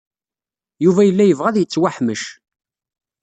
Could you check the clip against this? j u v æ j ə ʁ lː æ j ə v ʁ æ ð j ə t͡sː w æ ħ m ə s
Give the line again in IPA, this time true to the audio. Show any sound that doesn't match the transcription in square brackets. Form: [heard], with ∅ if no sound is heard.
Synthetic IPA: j u v æ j ə [∅] lː æ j ə v ʁ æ ð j ə t͡sː w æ ħ m ə [ʃ]